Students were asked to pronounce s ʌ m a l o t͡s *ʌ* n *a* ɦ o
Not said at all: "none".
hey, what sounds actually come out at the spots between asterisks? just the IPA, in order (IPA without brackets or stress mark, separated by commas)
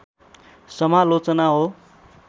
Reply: ʌ, a